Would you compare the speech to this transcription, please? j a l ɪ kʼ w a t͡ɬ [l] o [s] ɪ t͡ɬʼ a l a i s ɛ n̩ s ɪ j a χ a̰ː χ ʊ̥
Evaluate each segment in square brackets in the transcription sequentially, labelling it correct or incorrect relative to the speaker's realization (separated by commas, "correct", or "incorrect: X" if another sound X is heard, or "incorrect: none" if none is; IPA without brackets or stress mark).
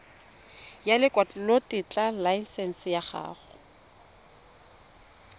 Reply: correct, incorrect: t